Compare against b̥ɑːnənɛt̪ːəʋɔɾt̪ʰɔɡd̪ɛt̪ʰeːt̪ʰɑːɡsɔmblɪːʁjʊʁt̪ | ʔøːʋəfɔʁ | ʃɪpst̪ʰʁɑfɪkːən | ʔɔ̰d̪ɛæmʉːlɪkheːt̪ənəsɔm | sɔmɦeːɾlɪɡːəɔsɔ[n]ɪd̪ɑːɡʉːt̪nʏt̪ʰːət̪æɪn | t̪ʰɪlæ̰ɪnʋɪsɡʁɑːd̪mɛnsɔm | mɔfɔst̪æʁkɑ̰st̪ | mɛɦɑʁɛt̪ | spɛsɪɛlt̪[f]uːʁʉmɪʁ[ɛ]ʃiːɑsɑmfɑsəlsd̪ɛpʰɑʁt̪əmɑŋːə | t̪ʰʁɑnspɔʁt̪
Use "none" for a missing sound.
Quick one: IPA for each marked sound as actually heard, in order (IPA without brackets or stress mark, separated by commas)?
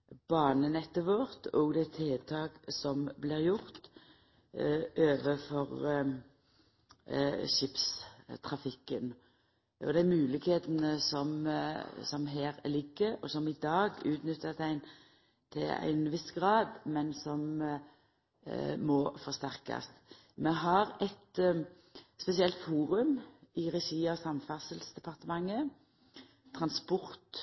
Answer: m, f, ɛ